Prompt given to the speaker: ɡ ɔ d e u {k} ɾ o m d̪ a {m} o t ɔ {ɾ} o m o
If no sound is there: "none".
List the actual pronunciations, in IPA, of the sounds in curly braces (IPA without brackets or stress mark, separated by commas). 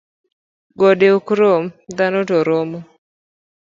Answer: k, n, ɾ